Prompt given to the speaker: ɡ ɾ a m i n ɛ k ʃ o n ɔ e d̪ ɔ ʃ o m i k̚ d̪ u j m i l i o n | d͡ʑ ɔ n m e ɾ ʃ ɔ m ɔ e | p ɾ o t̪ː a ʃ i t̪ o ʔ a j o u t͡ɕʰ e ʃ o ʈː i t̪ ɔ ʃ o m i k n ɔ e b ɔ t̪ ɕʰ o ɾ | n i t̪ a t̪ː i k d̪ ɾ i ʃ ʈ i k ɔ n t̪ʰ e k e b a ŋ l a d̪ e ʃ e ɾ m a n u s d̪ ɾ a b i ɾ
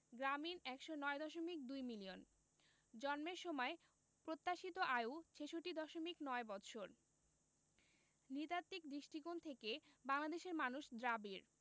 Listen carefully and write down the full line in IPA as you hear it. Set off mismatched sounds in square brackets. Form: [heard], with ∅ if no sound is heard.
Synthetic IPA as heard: ɡ ɾ a m i n ɛ k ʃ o n ɔ e d̪ ɔ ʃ o m i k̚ d̪ u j m i l i o n | d͡ʑ ɔ n m e ɾ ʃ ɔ m ɔ e | p ɾ o t̪ː a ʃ i t̪ o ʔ a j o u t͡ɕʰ e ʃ o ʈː i [d̪] ɔ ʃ o m i k n ɔ e b ɔ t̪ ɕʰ o ɾ | n i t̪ a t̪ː i k d̪ ɾ i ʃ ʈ i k [o] n t̪ʰ e k e b a ŋ l a d̪ e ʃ e ɾ m a n u [ʃ] d̪ ɾ a b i ɾ